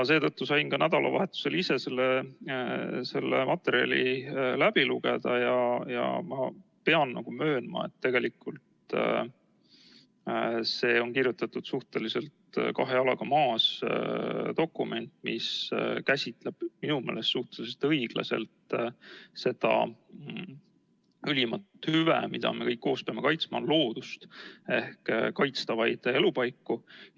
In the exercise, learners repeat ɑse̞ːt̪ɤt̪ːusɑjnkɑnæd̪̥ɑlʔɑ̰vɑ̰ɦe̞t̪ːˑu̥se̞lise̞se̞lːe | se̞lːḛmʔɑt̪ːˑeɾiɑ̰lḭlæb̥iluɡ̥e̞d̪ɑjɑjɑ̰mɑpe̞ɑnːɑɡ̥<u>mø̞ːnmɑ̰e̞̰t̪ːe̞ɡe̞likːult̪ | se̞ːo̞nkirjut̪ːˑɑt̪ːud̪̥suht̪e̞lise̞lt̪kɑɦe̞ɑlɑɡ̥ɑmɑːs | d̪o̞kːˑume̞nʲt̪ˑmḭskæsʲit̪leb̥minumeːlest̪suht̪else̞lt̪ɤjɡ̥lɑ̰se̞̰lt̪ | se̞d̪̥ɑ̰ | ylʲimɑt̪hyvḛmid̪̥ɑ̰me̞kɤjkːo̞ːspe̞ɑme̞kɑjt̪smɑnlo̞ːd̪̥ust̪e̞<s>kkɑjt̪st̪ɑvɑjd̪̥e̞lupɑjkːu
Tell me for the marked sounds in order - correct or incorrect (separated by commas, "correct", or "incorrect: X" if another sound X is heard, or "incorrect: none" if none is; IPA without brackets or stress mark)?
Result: correct, incorrect: h